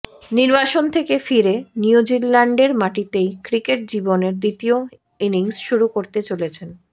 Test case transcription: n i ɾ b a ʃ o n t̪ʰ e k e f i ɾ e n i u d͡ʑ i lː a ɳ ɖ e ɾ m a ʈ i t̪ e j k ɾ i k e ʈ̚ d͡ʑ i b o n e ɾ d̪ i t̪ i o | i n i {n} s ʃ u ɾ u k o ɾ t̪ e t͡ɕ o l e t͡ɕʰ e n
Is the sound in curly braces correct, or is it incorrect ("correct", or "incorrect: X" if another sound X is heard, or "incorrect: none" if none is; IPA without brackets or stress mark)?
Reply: incorrect: ŋ